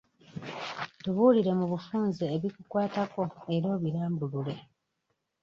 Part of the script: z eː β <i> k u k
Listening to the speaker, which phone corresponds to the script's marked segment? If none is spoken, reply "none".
i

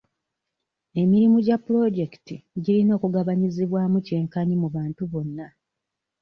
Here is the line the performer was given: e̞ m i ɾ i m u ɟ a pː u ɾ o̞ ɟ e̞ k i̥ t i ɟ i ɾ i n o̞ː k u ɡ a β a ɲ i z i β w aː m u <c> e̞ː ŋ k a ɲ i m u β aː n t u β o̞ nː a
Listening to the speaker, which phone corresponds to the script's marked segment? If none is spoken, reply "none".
c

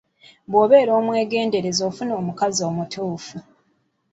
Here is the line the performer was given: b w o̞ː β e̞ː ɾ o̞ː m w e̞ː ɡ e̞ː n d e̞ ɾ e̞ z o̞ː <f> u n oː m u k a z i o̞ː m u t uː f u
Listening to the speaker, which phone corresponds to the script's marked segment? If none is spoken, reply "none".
f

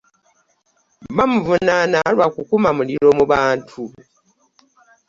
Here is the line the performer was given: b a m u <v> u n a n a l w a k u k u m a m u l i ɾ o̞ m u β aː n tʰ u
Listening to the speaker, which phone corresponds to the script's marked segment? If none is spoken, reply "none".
v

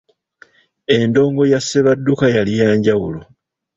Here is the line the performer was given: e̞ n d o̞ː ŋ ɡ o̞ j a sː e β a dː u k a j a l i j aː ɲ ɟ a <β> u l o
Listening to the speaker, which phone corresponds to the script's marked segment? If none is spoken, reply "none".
w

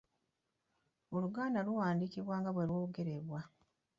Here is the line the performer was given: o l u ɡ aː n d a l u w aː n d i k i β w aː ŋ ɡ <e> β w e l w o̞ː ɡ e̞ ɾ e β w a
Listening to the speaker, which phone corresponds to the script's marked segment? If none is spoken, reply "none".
a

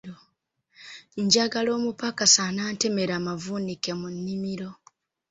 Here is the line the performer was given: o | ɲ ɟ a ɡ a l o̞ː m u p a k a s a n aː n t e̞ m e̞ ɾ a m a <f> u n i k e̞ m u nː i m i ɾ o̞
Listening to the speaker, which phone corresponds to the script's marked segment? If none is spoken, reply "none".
v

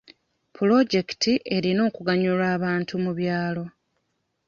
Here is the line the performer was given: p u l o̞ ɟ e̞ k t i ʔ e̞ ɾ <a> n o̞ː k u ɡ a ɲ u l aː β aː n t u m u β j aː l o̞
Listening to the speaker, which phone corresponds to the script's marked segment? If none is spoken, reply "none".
i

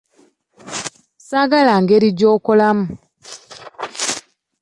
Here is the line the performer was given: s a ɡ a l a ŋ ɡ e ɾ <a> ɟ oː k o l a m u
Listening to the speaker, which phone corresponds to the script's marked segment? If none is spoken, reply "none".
i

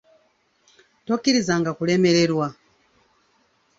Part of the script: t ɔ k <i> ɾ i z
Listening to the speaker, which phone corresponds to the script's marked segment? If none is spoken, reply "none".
i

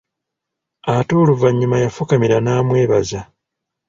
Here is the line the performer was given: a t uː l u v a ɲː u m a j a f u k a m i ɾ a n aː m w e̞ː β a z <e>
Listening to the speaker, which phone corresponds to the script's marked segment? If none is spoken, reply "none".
a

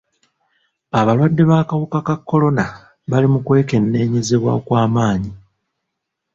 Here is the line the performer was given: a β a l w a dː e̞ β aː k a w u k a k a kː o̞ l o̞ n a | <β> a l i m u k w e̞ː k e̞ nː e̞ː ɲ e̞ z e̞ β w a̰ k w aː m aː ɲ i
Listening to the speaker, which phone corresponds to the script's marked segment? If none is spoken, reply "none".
β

